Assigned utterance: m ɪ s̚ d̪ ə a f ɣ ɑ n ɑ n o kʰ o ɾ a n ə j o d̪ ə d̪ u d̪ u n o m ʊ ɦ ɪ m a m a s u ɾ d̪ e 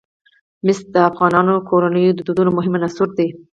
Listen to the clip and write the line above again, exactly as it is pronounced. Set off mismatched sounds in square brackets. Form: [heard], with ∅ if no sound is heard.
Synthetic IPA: m ɪ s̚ d̪ ə a f ɣ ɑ n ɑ n o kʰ o ɾ a n ə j o d̪ ə d̪ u d̪ u n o m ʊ ɦ ɪ m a [n] a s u ɾ d̪ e